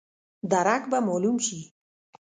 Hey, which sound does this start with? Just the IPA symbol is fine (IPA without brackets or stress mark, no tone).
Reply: d̪